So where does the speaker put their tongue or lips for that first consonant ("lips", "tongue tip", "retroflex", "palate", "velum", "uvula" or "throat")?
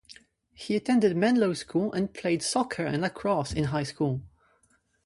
throat